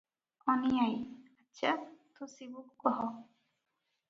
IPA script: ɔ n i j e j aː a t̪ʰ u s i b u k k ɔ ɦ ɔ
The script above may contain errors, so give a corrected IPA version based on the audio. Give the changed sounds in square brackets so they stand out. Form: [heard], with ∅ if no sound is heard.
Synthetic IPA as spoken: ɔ n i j [a] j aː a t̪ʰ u s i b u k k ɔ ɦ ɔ